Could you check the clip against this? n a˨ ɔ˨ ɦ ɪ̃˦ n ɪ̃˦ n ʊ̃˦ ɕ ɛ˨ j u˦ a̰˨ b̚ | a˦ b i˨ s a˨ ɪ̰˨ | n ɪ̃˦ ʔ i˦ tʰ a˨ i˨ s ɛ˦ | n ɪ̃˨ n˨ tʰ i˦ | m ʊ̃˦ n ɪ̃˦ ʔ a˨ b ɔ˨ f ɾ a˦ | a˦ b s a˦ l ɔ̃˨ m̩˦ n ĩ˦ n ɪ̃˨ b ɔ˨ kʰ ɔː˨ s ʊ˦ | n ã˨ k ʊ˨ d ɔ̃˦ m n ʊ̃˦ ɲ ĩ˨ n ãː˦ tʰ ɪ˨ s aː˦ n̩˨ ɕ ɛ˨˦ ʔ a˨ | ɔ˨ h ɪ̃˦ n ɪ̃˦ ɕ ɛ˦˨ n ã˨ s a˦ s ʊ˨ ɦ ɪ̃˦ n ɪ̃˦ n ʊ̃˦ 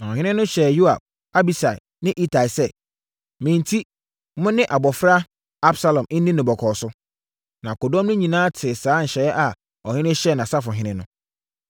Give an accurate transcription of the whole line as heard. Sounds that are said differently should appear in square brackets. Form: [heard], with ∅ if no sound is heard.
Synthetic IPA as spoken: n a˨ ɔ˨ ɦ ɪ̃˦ n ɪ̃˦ n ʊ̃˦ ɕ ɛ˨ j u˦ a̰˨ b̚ | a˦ b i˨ s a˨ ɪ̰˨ | n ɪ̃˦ ʔ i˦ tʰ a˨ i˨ s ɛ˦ | [m] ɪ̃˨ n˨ tʰ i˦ | m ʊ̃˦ n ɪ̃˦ ʔ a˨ b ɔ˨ f ɾ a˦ | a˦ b s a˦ l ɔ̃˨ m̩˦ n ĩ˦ n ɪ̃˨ b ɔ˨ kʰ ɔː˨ s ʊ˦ | n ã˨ k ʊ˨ d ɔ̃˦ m n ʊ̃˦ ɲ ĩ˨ n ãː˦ tʰ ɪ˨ s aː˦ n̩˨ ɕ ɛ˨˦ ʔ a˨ | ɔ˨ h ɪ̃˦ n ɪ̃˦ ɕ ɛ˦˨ n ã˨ s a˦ [f] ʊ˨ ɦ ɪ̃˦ n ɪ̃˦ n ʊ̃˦

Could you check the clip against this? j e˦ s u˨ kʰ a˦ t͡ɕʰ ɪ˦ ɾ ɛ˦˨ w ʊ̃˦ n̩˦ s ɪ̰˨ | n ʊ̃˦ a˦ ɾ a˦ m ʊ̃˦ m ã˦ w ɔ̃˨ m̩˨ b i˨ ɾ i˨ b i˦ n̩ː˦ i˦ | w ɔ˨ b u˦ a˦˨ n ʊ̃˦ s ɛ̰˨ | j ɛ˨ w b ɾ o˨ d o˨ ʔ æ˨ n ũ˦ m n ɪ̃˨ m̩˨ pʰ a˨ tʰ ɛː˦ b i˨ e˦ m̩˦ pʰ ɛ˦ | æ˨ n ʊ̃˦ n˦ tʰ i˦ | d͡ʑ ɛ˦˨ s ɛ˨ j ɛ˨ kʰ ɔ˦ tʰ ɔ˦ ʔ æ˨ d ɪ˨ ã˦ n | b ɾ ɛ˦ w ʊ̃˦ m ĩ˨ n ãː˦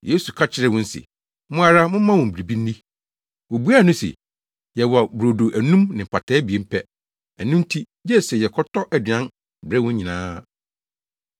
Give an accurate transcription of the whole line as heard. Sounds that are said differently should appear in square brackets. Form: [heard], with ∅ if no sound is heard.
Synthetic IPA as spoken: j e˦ s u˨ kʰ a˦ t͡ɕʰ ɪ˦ ɾ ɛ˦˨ w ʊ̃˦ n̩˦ s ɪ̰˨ | [m] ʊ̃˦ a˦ ɾ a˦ m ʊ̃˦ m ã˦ w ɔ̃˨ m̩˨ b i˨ ɾ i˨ b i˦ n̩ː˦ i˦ | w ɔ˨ b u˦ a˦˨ n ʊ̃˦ s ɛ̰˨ | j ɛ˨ w b ɾ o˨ d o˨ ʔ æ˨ n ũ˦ m n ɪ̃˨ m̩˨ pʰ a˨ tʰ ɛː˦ b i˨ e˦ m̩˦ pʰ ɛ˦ | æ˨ n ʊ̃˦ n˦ tʰ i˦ | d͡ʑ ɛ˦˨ s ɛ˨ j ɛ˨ kʰ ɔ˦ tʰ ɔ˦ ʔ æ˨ d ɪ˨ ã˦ n | b ɾ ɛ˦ w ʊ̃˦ [ɲ] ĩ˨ n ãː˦

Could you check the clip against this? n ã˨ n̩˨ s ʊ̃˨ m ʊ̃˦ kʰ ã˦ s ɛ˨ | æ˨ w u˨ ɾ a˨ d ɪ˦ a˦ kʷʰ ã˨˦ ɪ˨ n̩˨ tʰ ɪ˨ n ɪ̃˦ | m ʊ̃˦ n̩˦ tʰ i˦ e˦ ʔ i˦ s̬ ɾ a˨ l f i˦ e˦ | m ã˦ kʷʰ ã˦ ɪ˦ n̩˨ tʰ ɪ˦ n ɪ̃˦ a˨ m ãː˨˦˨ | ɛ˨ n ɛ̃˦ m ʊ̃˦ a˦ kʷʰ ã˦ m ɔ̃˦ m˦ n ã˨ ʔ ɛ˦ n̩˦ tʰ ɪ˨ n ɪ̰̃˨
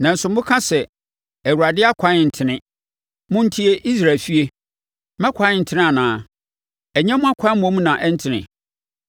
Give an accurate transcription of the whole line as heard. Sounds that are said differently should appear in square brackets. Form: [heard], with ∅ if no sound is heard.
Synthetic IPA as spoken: n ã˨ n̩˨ s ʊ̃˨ m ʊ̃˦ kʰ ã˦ s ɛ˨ | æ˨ w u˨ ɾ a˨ d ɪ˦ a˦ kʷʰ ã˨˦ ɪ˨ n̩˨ tʰ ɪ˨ n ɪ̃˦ | m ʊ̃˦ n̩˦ tʰ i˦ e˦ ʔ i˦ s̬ ɾ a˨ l f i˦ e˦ | m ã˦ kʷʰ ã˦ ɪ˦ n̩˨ tʰ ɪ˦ n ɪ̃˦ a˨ [n] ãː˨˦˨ | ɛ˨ [ɲ] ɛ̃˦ m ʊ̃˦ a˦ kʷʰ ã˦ m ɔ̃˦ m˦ n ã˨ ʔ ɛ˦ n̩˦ tʰ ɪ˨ n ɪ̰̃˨

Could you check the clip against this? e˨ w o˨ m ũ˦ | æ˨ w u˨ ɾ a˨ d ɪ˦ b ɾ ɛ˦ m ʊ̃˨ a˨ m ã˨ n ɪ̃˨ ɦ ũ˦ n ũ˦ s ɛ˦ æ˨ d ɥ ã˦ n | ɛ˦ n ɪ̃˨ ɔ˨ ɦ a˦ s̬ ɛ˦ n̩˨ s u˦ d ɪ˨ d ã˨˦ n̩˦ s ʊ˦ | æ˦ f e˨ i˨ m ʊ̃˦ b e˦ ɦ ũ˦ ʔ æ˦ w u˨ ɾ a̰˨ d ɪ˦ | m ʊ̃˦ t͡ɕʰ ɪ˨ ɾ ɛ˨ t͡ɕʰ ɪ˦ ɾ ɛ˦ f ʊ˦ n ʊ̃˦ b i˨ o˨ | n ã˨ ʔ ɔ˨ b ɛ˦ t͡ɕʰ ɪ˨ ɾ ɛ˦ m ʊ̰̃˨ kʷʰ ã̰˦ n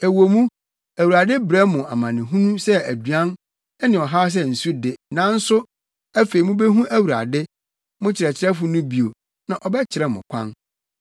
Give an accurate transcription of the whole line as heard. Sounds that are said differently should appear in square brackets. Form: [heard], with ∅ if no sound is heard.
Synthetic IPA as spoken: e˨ w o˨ m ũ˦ | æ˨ w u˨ ɾ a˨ d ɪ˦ b ɾ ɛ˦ m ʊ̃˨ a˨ m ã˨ n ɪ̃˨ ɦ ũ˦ n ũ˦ s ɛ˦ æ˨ d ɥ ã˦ n | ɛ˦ n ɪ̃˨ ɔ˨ ɦ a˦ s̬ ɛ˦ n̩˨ s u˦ d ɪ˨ [n] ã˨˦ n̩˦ s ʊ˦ | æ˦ f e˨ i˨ m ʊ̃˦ b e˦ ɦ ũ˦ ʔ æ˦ w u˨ ɾ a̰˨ d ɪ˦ | m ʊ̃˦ t͡ɕʰ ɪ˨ ɾ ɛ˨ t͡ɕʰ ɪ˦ ɾ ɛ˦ f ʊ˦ n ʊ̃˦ b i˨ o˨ | n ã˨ ʔ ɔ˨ b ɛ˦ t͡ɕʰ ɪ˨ ɾ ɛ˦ m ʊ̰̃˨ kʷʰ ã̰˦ n

